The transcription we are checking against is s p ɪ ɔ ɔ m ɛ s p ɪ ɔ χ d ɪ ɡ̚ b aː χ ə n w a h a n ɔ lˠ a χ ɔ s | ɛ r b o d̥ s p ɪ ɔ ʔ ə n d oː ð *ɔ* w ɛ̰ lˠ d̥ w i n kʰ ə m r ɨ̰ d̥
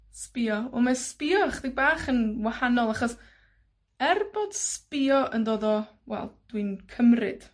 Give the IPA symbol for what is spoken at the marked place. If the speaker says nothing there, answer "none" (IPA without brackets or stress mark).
ɔ